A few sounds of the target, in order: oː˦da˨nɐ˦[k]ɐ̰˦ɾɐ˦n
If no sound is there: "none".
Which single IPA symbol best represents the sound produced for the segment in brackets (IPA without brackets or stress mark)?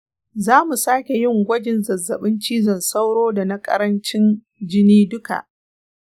kʼ